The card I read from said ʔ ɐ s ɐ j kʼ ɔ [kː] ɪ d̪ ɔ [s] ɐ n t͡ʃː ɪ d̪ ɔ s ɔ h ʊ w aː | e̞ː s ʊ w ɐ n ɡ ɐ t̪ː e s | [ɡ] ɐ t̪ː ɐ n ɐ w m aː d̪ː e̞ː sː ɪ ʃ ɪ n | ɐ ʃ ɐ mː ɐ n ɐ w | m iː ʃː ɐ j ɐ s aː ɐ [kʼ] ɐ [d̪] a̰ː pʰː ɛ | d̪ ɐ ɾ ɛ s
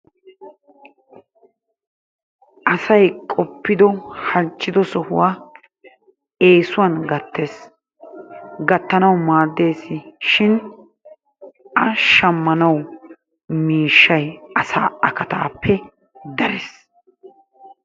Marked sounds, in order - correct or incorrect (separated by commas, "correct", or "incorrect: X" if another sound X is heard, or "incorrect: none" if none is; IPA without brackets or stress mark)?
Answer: incorrect: pː, incorrect: h, correct, incorrect: k, incorrect: t̪